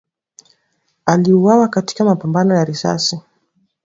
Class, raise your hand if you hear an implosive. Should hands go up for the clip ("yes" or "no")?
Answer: no